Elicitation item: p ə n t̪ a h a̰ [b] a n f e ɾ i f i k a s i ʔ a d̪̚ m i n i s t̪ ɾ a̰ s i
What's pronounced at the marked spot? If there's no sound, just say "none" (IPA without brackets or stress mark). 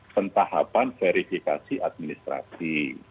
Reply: p